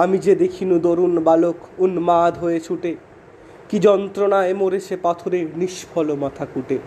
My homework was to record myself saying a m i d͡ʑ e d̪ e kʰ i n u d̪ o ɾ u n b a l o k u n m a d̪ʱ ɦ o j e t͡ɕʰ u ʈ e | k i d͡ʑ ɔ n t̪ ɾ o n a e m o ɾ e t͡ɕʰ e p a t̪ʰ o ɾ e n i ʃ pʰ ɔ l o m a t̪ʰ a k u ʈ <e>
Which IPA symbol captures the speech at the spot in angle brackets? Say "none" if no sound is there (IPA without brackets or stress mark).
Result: e